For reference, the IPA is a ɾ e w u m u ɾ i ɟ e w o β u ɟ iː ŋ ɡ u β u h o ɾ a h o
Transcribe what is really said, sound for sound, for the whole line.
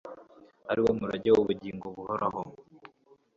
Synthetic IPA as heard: a ɾ i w o m u ɾ a ɟ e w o β u ɟ iː ŋ ɡ o β u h o ɾ a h o